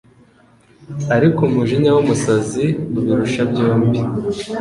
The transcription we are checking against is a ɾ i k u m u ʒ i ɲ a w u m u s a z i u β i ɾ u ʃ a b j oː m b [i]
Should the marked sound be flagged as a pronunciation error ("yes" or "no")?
no